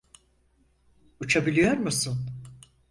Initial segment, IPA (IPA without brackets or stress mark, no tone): u